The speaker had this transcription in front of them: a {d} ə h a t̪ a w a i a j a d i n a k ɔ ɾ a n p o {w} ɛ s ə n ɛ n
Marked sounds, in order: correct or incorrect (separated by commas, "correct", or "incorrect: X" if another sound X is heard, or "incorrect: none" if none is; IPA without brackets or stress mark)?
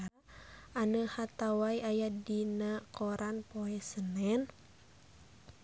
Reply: incorrect: n, incorrect: none